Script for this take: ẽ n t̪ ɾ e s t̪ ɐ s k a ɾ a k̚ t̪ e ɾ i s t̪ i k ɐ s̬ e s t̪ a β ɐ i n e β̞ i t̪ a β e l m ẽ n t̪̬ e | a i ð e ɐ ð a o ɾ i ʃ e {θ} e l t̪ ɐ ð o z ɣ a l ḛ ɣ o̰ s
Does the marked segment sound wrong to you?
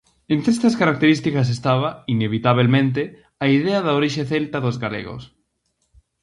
no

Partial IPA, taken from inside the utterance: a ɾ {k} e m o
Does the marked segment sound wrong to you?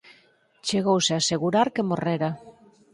no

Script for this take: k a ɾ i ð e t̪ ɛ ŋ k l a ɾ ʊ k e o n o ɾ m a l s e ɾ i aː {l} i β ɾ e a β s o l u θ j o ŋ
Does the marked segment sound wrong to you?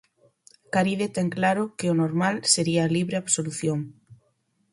no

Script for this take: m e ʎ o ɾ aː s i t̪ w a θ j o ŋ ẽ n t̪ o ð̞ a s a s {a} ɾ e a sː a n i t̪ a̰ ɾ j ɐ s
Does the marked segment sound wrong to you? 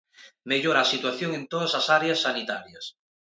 no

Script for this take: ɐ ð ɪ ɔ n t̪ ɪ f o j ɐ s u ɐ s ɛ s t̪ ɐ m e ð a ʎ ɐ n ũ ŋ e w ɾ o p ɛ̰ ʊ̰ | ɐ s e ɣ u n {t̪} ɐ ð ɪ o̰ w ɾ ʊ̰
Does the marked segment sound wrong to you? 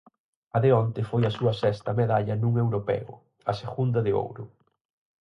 yes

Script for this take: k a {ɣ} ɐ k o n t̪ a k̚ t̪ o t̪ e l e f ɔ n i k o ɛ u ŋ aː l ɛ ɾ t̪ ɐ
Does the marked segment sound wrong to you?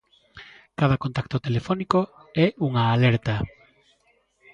yes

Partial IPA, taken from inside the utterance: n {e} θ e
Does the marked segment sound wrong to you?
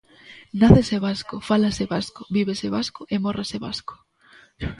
yes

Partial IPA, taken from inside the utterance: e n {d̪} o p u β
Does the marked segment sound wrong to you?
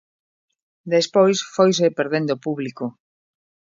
no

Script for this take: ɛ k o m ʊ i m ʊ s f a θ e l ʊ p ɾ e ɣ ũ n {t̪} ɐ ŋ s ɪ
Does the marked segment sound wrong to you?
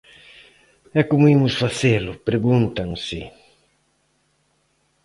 no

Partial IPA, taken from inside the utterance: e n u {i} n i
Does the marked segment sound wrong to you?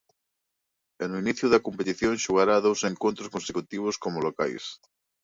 no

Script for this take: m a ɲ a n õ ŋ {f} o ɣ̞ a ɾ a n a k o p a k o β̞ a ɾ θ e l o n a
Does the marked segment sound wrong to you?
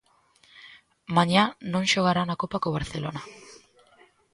yes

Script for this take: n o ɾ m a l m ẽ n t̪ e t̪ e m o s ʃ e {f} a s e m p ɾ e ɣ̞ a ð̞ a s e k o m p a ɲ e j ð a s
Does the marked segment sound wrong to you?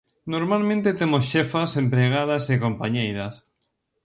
no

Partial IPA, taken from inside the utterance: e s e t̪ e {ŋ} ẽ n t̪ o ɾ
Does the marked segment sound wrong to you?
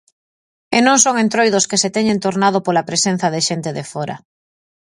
yes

